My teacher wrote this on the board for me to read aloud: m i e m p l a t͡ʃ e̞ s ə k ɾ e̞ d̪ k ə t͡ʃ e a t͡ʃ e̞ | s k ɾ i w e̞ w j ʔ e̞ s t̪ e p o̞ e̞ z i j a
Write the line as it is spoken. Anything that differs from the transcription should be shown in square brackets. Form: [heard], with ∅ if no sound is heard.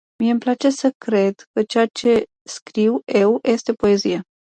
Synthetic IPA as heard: m i e m p l a t͡ʃ e̞ s ə k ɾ e̞ d̪ k ə t͡ʃ e a t͡ʃ e̞ | s k ɾ i w e̞ w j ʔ e̞ s t̪ e p o̞ e̞ z i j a